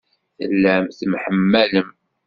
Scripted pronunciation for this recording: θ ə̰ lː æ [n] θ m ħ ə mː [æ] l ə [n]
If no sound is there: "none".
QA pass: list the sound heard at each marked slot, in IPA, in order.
m, æ, m

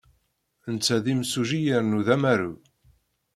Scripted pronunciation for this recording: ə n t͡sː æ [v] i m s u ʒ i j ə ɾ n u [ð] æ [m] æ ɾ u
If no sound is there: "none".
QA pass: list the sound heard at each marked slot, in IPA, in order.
ð, ð, m

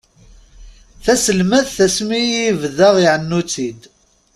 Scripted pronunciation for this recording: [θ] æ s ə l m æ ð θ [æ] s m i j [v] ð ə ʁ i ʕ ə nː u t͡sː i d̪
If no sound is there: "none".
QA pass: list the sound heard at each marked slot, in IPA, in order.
θ, æ, v

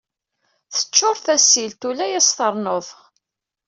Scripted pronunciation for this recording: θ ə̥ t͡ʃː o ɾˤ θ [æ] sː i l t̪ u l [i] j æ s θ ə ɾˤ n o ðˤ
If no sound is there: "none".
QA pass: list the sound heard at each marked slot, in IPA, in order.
æ, æ

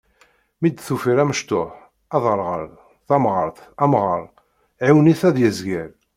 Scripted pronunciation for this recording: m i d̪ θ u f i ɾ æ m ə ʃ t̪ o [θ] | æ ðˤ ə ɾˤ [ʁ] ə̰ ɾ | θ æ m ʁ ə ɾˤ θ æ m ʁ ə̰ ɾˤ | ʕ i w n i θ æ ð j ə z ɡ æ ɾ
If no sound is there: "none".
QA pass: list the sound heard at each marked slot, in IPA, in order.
ħ, ʁ

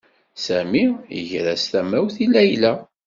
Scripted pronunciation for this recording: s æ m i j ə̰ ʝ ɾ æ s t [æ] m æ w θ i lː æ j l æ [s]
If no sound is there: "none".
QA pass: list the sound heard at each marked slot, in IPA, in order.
æ, none

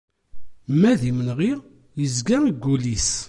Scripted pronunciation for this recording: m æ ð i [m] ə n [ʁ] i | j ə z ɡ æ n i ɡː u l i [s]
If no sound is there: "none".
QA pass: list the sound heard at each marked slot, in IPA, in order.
m, ʁ, s

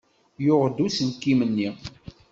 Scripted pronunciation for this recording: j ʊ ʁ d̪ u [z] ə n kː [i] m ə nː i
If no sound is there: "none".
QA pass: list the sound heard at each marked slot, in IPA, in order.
s, i

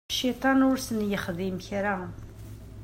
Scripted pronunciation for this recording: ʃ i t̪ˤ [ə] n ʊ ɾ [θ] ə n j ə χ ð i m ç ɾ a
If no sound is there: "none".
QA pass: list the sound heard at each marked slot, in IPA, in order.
ɑ, s

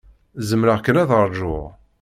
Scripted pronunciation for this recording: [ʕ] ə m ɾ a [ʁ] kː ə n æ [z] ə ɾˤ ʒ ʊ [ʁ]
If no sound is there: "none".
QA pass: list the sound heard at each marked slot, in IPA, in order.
z, ʁ, ð, ʁ

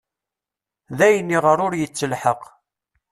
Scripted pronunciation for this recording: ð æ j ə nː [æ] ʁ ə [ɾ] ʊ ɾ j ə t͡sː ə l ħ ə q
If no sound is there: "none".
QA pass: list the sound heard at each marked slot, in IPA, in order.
i, ɾ

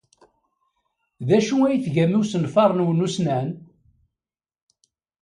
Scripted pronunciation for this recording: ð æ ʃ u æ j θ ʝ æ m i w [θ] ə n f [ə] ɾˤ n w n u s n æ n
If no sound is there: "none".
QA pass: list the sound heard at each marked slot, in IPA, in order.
s, ɑ

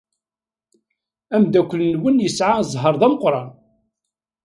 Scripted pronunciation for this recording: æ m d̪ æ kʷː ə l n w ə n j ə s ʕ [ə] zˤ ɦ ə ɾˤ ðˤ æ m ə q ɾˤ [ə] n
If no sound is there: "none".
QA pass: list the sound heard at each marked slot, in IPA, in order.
a, ɑ

